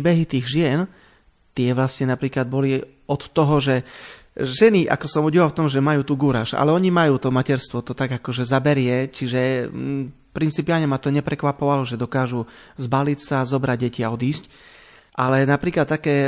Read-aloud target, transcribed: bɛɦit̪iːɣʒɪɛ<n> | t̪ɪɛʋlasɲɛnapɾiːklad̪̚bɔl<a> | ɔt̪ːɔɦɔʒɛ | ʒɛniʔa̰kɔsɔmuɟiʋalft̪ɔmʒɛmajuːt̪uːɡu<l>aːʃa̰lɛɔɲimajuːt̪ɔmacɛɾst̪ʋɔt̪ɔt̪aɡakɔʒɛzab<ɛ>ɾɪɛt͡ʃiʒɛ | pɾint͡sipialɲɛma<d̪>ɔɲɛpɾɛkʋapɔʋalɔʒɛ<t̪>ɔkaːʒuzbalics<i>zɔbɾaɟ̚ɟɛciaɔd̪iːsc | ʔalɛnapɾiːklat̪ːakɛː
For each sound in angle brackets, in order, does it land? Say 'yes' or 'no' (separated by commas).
yes, no, no, yes, no, no, no